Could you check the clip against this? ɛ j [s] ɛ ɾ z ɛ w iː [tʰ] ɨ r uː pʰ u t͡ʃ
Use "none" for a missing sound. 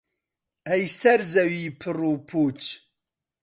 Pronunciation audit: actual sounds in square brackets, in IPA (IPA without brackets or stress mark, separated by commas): s, pʰ